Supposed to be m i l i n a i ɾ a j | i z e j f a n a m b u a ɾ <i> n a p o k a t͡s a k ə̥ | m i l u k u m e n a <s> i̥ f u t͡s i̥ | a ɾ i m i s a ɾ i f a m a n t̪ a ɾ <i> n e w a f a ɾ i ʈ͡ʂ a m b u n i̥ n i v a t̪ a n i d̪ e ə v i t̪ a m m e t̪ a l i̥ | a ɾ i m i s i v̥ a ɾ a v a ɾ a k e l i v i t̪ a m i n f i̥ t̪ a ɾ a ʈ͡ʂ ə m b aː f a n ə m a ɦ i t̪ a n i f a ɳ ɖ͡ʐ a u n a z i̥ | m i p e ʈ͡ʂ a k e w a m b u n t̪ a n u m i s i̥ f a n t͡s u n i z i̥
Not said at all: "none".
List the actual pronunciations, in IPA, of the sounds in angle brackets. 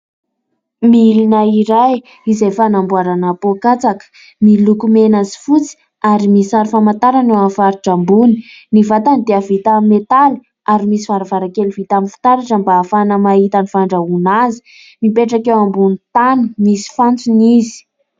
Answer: a, z, a

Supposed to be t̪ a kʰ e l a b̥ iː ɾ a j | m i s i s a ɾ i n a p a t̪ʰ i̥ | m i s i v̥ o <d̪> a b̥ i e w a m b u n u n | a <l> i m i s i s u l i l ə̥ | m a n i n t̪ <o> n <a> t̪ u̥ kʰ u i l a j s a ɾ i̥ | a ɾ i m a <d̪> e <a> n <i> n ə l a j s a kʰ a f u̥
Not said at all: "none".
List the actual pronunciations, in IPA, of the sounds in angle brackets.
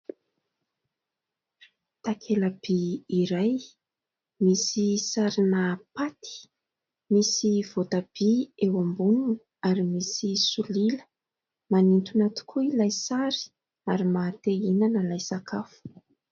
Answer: t̪, ɾ, u, a, t̪, i, a

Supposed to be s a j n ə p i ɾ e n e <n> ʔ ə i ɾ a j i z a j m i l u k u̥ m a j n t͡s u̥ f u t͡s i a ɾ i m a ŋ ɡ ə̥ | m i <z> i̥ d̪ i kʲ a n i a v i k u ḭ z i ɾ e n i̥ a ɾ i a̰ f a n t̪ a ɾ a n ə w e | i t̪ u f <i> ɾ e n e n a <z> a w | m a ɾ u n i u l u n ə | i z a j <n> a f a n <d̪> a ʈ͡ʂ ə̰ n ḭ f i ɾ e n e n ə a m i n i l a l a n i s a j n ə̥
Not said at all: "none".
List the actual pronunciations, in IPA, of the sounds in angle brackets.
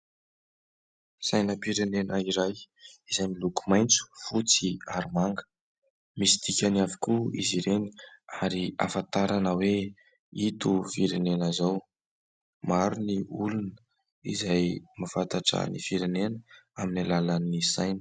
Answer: n, s, i, z, m, t̪

